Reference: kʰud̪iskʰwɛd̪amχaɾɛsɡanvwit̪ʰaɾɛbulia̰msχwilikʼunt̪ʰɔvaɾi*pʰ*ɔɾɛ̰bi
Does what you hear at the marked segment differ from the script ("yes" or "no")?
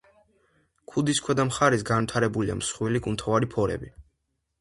no